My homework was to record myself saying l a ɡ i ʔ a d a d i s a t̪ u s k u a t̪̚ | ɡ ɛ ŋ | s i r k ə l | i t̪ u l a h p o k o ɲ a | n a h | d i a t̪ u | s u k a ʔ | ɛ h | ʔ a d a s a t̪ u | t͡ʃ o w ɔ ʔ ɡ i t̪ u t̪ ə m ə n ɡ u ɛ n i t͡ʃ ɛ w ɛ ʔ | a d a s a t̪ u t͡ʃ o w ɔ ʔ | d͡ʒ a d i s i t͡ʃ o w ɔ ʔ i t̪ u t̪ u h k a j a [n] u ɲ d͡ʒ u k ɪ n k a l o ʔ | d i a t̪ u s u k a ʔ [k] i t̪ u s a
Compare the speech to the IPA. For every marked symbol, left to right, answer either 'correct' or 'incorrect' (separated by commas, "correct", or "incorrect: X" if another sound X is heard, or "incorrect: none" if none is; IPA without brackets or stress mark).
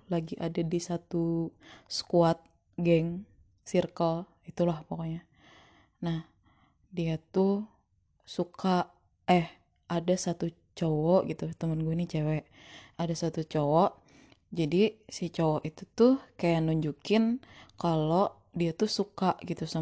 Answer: correct, incorrect: ɡ